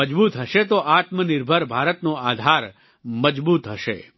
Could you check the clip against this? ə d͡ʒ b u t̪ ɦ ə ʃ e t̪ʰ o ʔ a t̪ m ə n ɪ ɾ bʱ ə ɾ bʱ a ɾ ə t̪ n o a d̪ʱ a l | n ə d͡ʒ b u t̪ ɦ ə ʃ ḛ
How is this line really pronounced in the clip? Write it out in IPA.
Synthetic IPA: ə d͡ʒ b u t̪ ɦ ə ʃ e t̪ o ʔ a t̪ m ə n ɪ ɾ bʱ ə ɾ bʱ a ɾ ə t̪ n o a d̪ʱ a ɾ | m ə d͡ʒ b u t̪ ɦ ə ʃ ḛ